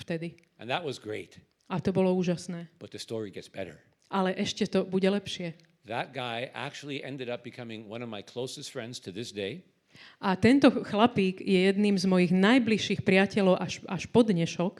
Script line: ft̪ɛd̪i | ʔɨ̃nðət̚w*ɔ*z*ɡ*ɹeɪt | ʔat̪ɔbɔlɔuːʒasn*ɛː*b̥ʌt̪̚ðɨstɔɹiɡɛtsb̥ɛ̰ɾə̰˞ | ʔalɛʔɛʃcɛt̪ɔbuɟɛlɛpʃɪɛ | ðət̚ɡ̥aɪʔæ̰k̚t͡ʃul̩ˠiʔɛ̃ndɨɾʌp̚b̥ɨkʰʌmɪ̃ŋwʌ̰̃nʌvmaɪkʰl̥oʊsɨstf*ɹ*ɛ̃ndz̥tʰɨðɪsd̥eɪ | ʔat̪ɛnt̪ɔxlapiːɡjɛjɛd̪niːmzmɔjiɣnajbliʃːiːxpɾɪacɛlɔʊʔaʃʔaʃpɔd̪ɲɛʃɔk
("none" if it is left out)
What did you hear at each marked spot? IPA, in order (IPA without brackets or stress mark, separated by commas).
ʌ, ɡ, ɛː, ɹ